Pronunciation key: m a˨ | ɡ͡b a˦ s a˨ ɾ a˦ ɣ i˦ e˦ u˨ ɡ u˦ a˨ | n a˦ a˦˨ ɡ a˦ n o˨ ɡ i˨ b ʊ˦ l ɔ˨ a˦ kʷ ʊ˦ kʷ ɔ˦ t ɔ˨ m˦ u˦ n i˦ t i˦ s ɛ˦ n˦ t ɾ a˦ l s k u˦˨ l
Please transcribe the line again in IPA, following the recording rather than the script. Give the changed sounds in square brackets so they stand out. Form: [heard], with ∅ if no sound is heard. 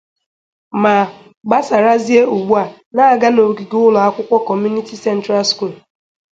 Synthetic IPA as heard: m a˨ | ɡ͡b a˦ s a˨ ɾ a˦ [z] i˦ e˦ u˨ [ɡ͡b] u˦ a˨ | n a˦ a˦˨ ɡ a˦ n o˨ ɡ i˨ [ɡ] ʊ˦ l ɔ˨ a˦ kʷ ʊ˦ kʷ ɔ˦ [k] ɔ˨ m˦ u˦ n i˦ t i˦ s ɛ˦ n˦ t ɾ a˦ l s k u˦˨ l